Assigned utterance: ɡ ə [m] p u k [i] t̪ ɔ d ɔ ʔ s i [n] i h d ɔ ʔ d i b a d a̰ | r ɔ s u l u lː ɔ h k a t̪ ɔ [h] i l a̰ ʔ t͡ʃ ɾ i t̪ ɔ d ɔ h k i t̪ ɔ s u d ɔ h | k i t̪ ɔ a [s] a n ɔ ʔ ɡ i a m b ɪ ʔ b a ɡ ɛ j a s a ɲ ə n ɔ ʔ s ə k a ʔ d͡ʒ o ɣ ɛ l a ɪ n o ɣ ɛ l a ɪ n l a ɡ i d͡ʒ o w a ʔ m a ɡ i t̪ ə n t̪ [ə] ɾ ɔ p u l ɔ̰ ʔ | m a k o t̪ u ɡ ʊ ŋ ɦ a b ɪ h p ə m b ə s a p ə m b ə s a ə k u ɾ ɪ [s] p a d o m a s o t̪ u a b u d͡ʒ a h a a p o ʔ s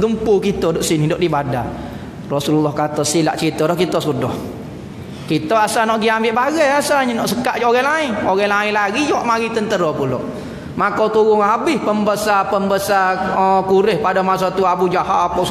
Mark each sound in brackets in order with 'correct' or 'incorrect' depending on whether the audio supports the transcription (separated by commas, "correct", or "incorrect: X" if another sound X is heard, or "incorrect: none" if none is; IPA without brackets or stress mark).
correct, correct, correct, incorrect: s, correct, correct, incorrect: h